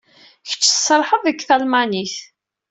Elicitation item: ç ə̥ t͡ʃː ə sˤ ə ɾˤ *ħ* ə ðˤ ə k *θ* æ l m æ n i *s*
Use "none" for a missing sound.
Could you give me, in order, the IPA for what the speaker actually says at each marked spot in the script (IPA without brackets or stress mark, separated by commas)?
ħ, θ, θ